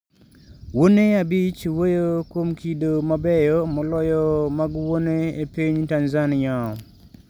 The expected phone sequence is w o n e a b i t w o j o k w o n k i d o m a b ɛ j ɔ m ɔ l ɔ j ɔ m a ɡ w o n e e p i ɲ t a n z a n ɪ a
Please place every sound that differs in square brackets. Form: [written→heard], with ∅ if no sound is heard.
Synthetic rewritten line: w o n e a b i [t→t͡ʃ] w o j o k w o [n→m] k i d o m a b ɛ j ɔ m ɔ l ɔ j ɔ m a ɡ w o n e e p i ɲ t a n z a n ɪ a

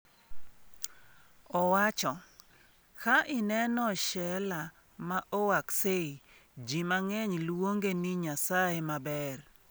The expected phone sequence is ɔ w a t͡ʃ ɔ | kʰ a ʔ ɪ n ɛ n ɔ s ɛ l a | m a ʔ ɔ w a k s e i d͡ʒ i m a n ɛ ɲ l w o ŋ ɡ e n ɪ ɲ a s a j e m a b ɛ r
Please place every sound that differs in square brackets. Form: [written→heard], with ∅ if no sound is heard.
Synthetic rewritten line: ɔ w a t͡ʃ ɔ | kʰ a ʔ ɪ n ɛ n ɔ [s→ʃ] ɛ l a | m a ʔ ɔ w a k s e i d͡ʒ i m a [n→ŋ] ɛ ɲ l w o ŋ ɡ e n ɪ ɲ a s a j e m a b ɛ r

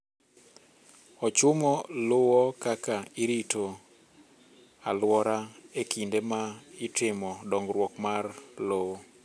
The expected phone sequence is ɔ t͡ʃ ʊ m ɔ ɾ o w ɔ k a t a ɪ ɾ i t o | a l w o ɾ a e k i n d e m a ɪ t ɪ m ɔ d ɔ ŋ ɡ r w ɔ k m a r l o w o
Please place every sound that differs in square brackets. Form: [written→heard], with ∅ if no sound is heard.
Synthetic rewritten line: ɔ t͡ʃ ʊ m ɔ [ɾ→l] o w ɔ k a [t→k] a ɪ ɾ i t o | a l w [o→ɔ] ɾ a e k i n d e m a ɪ t ɪ m ɔ d ɔ ŋ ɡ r w ɔ k m a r l o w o

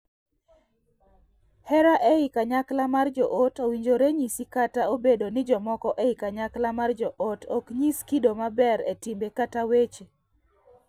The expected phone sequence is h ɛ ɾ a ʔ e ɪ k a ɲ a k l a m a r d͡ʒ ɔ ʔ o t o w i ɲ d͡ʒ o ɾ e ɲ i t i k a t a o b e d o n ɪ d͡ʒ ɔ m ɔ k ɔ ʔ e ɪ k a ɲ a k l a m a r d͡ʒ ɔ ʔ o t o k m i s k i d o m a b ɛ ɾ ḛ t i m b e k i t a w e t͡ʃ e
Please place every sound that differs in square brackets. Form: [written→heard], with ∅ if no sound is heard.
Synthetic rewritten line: h ɛ ɾ a ʔ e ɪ k a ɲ a k l a m a r d͡ʒ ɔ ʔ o t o w i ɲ d͡ʒ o ɾ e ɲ i [t→s] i k a t a o b e d o n ɪ d͡ʒ ɔ m ɔ k ɔ ʔ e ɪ k a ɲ a k l a m a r d͡ʒ ɔ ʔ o t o k [m→ɲ] i s k i d o m a b ɛ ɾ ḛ t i m b e k [i→a] t a w e t͡ʃ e

